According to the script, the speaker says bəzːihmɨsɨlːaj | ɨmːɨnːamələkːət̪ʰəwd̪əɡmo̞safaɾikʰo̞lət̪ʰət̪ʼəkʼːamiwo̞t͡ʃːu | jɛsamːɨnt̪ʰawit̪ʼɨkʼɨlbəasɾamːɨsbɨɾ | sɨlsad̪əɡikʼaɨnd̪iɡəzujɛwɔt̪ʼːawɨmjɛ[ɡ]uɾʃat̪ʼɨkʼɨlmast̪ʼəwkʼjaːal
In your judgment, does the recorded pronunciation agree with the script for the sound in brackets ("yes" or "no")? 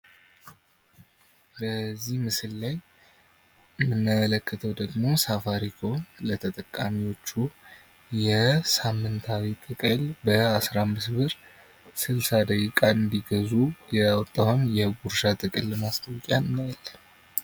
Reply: yes